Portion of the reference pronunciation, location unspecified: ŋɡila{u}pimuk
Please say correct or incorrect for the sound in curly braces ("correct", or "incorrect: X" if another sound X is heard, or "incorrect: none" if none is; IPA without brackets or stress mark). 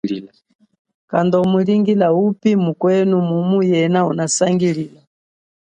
correct